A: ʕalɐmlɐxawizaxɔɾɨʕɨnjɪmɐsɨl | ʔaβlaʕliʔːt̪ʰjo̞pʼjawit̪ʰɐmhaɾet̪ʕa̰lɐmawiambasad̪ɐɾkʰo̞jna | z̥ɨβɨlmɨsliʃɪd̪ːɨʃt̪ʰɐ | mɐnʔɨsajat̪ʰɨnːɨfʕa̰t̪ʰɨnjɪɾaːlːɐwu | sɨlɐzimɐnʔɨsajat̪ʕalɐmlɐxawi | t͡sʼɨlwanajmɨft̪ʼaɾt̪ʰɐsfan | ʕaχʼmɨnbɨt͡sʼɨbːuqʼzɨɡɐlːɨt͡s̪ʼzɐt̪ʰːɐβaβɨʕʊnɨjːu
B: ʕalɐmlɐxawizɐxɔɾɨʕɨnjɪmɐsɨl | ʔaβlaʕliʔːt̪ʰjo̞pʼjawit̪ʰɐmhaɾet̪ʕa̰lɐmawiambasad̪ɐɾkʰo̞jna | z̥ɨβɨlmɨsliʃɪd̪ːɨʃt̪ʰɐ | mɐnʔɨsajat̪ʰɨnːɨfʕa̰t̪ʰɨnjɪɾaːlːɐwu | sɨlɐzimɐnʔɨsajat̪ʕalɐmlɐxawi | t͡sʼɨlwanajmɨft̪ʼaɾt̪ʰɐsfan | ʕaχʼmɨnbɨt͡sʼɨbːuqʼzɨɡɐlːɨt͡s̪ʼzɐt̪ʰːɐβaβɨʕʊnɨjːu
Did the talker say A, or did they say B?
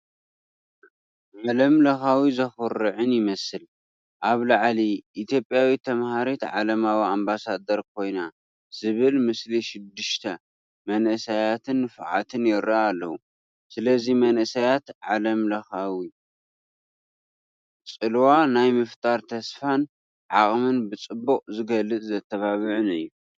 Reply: B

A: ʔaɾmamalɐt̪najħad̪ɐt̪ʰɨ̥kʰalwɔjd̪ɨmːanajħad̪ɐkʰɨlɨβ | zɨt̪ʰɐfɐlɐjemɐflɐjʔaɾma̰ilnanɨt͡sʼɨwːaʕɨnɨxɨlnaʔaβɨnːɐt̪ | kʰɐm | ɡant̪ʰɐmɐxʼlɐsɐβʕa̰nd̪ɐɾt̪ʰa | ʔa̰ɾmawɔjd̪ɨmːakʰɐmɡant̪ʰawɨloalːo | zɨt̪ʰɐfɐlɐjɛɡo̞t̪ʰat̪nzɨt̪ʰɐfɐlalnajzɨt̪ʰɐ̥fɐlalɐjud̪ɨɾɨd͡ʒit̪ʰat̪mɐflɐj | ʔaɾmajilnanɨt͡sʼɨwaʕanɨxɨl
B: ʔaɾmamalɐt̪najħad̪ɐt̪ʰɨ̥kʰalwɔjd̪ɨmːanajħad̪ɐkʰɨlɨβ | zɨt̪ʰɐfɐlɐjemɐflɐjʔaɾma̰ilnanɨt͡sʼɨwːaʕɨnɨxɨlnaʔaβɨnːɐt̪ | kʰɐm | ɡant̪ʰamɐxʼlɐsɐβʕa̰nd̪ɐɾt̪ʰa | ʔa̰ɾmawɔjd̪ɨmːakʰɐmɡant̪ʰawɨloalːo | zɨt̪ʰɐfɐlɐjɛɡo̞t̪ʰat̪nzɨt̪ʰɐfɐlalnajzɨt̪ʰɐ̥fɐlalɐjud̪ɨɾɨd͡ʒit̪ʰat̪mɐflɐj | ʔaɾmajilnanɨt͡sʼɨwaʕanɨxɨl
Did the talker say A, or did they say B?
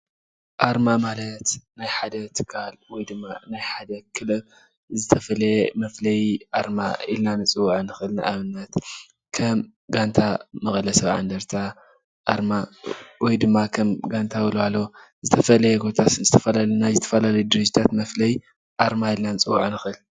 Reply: B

